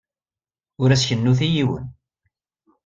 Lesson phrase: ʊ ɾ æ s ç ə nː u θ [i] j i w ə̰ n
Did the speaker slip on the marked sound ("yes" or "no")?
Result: no